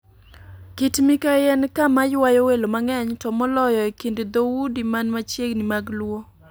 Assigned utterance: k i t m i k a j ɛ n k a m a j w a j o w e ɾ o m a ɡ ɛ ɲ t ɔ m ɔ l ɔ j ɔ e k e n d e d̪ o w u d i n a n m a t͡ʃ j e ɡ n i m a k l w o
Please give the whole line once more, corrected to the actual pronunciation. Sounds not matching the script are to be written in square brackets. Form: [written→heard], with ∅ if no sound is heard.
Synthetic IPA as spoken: k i t m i k a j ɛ n k a m a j w a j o w e [ɾ→l] o m a [ɡ→ŋ] ɛ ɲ t ɔ m ɔ l ɔ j ɔ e k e n d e d̪ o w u d i [n→m] a n m a t͡ʃ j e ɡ n i m a [k→ɡ] l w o